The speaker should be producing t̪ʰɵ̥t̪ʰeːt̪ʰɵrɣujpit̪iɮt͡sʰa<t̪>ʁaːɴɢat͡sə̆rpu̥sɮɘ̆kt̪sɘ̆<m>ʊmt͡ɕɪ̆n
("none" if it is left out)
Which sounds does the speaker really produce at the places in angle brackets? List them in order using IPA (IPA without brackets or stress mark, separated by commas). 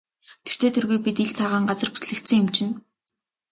none, ŋ